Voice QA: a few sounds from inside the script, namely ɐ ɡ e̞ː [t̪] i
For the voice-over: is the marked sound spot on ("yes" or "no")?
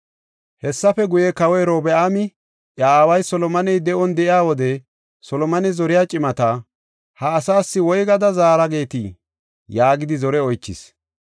yes